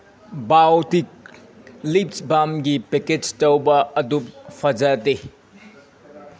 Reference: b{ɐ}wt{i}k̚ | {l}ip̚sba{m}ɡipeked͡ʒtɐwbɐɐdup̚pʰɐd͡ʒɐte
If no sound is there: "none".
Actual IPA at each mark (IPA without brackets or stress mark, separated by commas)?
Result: a, i, l, m